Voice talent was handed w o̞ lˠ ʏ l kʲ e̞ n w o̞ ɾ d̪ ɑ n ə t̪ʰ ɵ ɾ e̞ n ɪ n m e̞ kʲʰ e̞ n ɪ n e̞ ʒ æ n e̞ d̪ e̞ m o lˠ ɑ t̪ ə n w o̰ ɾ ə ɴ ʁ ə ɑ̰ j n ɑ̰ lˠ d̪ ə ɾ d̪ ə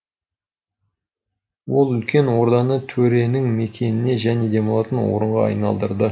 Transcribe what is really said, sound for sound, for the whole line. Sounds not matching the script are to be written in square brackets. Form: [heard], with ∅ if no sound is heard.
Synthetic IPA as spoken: w o̞ lˠ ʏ l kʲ e̞ n w o̞ ɾ d̪ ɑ n ə t̪ʰ ɵ ɾ e̞ n ɪ [ŋ] m e̞ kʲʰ e̞ n ɪ n e̞ ʒ æ n e̞ d̪ e̞ m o lˠ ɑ t̪ ə n w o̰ ɾ ə ɴ ʁ [ɑ] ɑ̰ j n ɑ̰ lˠ d̪ ə ɾ d̪ ə